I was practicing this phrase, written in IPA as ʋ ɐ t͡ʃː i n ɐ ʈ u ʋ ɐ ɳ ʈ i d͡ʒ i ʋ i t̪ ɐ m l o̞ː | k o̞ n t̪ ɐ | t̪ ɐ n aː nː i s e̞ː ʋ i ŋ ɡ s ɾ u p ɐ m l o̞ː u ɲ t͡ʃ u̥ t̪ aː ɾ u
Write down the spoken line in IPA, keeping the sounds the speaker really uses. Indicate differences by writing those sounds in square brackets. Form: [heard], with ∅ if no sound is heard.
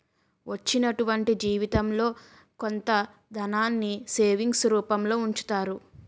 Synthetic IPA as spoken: ʋ ɐ t͡ʃː i n ɐ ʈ u ʋ ɐ ɳ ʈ i d͡ʒ [iː] ʋ i t̪ ɐ m l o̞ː | k o̞ n t̪ ɐ | [d̪] ɐ n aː nː i s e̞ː ʋ i ŋ ɡ s ɾ [uː] p ɐ m l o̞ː u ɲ t͡ʃ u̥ t̪ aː ɾ u